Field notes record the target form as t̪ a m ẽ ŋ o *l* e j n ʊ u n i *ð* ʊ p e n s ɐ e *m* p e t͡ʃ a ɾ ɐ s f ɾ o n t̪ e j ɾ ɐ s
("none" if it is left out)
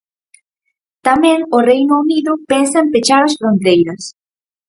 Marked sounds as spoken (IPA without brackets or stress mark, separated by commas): r, ð, m